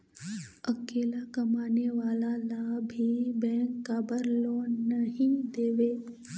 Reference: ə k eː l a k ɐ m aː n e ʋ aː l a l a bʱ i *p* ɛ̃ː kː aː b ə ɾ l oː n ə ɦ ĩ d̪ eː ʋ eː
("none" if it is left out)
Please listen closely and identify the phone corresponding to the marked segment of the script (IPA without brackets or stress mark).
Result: b